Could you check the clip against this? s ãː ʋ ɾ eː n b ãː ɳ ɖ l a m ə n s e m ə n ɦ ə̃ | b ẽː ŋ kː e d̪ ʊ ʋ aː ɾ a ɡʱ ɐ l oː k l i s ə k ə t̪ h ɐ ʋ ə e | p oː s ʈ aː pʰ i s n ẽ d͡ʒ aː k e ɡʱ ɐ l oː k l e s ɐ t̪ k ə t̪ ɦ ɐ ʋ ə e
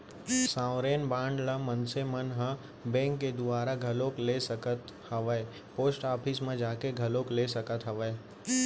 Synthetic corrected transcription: s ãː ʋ ɾ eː n b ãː ɳ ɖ l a m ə n s e m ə n ɦ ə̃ | b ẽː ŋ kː e d̪ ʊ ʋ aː ɾ a ɡʱ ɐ l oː k l e s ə k ə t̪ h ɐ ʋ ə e | p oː s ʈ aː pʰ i s m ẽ d͡ʒ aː k e ɡʱ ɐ l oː k l e s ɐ k ə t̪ ɦ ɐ ʋ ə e